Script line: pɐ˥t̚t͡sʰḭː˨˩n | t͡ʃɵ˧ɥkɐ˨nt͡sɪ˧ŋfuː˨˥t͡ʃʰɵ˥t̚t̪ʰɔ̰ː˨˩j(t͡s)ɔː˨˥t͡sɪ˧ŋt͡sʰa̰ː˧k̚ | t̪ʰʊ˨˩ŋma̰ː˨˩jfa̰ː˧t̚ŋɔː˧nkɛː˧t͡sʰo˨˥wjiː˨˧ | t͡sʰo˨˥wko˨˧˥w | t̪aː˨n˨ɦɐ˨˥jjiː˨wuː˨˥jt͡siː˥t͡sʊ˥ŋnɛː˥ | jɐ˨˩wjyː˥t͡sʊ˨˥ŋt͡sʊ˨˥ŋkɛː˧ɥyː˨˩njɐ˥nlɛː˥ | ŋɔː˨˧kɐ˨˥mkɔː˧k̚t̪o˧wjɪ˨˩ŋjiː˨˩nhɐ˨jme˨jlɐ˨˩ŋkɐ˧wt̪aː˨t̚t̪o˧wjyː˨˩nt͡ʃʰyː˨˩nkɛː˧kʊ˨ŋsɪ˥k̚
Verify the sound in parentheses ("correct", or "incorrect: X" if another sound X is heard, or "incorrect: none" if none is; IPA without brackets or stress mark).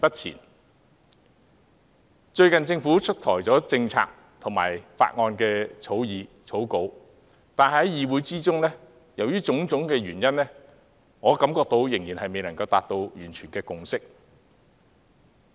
correct